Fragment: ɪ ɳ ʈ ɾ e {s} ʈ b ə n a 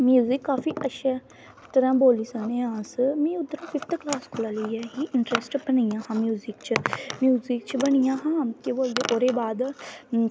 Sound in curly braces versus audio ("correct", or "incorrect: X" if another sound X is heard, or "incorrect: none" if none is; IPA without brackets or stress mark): correct